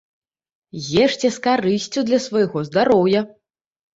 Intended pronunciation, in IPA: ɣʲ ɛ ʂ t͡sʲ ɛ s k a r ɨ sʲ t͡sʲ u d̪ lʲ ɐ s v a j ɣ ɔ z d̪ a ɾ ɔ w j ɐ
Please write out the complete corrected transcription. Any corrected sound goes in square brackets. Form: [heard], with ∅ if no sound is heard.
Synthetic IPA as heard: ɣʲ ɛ ʂ t͡sʲ ɛ s k a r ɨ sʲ t͡sʲ u d̪ lʲ ɐ s v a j ɣ ɔ z d̪ a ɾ ɔ w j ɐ